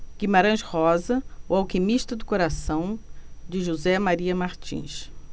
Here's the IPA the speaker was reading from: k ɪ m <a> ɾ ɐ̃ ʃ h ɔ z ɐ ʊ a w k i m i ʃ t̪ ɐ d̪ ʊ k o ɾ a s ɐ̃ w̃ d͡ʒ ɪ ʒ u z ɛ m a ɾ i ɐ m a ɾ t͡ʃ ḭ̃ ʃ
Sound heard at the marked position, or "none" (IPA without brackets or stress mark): a